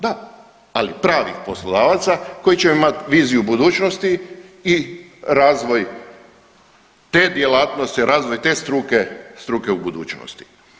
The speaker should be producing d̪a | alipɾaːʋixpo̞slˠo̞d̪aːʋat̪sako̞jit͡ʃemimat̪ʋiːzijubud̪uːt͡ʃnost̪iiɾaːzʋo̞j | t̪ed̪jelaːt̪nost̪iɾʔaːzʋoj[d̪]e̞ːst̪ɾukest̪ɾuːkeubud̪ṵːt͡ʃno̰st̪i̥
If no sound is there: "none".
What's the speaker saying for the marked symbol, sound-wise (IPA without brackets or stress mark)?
t̪